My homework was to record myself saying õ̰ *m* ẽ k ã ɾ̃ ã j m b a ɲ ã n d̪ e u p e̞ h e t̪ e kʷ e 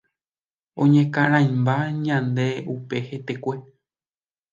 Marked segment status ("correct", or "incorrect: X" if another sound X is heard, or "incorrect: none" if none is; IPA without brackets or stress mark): incorrect: ɲ